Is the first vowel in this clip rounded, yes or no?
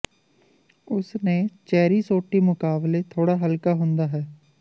yes